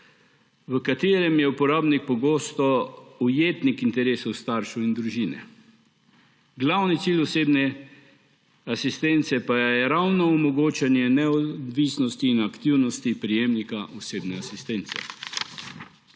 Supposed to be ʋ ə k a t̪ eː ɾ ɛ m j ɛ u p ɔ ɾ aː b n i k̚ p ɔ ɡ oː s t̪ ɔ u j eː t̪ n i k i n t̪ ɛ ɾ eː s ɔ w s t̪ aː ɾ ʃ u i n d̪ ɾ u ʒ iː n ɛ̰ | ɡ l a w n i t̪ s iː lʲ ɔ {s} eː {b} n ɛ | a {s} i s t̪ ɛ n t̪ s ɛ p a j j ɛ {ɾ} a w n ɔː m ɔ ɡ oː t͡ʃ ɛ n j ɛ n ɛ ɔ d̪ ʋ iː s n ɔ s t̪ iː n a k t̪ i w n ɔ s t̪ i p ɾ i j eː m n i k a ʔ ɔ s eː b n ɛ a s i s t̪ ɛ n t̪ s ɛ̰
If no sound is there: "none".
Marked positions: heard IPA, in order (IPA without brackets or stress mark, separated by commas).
s, b, s, ɾ